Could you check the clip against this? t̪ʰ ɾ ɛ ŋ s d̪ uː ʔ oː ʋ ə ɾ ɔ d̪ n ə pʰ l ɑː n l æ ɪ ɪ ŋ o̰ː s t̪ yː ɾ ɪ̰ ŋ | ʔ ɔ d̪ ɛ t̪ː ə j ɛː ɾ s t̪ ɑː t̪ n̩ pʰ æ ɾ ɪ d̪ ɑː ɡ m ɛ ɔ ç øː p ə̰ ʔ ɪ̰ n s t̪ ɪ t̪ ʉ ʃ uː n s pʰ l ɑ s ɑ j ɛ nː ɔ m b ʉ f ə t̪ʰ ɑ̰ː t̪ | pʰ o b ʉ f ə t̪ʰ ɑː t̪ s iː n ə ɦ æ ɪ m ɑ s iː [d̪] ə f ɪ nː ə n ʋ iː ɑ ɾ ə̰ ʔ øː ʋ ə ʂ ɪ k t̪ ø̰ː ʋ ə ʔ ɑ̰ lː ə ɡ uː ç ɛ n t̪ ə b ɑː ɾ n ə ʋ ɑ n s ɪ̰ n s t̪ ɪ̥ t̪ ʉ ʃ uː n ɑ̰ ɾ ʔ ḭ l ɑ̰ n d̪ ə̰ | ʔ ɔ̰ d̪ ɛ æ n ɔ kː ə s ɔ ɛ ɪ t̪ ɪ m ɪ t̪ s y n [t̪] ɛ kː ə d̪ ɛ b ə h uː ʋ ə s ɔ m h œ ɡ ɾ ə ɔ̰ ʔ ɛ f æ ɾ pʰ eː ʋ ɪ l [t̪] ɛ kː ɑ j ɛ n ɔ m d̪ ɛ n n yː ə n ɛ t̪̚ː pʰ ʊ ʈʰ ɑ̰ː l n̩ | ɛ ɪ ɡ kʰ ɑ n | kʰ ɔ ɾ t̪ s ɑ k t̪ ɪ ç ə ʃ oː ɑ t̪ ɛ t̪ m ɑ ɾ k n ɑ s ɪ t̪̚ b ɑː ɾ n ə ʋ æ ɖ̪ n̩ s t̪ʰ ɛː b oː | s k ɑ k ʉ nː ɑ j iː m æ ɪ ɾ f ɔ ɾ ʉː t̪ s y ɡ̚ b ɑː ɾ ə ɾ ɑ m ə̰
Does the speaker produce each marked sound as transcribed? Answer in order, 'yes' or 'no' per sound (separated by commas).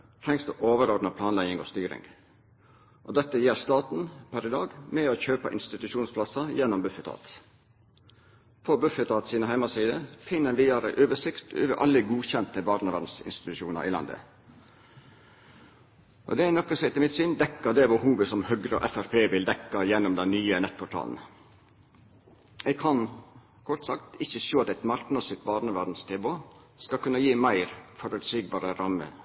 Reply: yes, no, no